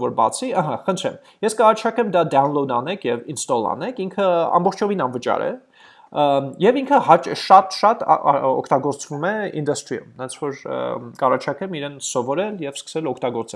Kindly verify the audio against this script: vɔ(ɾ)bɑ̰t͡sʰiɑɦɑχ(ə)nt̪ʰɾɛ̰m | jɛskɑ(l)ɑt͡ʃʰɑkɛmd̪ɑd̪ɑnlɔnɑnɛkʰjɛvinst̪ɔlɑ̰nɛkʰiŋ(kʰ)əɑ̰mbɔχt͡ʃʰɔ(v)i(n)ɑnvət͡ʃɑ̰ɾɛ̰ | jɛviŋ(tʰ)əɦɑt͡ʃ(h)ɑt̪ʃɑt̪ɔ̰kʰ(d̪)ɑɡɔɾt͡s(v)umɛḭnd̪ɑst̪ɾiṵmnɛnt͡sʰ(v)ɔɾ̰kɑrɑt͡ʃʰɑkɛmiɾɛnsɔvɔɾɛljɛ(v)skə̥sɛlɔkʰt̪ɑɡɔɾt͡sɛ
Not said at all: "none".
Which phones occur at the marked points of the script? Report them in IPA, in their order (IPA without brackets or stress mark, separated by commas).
ɾ, ə, r, kʰ, v, n, kʰ, ʃ, t̪, v, v, v